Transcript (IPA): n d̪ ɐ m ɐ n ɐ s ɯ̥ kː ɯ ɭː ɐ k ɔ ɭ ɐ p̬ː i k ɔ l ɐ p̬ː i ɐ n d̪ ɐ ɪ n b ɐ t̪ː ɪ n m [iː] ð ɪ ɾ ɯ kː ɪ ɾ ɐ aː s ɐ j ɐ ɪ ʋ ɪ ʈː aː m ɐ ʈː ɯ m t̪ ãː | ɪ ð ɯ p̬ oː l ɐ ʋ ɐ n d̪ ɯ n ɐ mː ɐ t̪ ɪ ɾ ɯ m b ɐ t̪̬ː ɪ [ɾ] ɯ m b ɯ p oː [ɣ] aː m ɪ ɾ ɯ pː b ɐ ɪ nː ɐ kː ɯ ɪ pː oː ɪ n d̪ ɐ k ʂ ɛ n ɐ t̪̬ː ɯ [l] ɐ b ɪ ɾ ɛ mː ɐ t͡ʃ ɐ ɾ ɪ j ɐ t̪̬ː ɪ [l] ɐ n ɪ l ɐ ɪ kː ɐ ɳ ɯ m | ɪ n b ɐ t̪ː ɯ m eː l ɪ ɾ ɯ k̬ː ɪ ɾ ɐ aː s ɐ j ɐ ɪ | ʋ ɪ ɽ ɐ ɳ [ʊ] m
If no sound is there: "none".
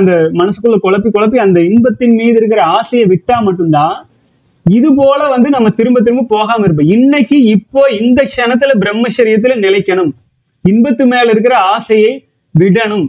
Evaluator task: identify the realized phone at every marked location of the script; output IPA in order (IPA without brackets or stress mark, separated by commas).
iː, ɾ, ɣ, l, l, ɯ